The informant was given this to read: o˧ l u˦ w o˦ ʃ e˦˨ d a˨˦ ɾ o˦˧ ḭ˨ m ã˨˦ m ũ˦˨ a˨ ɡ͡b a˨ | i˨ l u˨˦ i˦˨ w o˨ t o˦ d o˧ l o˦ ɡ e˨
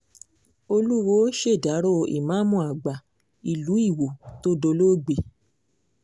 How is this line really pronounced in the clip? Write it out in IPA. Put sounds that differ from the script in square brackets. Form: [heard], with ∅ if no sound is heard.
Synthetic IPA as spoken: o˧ l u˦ w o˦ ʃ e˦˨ d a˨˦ ɾ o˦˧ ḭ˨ m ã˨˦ m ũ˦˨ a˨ ɡ͡b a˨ | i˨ l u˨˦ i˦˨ w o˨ t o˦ d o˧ l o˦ [ɡ͡b] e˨